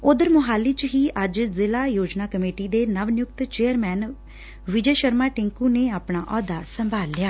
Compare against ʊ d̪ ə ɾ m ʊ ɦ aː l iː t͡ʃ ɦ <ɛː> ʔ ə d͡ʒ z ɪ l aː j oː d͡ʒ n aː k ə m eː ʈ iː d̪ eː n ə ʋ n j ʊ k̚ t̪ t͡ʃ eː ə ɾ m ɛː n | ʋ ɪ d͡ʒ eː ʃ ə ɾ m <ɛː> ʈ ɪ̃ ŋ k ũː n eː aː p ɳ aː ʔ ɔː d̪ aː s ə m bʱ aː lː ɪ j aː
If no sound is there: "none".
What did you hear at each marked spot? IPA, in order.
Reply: iː, aː

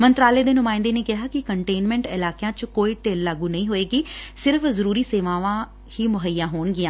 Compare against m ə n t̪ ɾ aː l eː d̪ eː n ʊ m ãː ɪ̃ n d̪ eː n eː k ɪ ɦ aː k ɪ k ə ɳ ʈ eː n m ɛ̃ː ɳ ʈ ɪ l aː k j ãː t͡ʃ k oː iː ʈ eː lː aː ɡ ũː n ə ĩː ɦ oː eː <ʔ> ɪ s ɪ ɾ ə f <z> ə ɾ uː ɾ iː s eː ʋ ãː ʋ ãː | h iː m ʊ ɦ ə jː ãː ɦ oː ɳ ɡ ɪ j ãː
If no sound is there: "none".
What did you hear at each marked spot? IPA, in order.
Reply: k, z

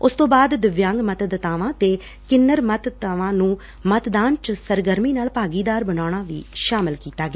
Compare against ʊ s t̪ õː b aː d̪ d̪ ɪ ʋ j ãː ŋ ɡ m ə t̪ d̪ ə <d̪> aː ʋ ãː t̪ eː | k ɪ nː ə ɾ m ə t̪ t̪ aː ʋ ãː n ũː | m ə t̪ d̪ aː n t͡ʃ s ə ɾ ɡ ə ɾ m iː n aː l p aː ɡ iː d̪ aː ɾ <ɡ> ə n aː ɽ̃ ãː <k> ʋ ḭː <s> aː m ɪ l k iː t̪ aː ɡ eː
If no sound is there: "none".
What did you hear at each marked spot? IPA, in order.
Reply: t̪, b, none, ʃ

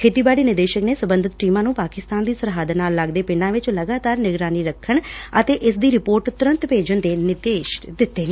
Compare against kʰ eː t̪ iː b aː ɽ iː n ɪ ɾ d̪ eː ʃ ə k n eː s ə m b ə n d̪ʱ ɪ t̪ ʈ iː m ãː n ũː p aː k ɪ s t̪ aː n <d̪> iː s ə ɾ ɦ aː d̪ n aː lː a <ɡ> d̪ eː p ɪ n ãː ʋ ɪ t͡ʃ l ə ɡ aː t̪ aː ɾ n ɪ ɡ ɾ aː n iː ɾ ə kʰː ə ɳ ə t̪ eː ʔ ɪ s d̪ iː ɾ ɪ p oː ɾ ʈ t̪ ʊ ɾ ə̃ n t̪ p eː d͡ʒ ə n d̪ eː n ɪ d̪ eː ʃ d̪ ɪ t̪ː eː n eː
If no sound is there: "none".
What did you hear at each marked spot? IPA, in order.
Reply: d̪, ɡ

